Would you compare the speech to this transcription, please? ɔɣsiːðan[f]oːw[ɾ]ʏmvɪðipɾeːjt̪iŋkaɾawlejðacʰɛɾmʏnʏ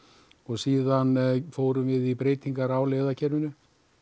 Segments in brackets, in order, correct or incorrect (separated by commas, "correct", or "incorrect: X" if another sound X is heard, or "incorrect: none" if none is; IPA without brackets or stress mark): correct, correct